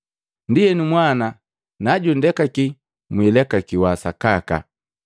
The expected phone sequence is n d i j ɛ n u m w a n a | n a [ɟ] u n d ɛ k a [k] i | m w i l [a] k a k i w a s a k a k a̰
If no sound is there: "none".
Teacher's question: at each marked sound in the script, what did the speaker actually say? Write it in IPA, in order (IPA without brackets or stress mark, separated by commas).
ɟ, k, ɛ